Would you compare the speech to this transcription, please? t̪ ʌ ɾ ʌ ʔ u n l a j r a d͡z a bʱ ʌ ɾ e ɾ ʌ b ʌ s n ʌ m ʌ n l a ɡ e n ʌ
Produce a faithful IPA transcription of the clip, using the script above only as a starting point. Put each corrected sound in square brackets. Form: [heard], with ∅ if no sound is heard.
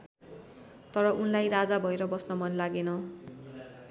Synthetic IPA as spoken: t̪ ʌ ɾ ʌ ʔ u n l a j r a d͡z a bʱ ʌ [∅] e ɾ ʌ b ʌ s n ʌ m ʌ n l a ɡ e n ʌ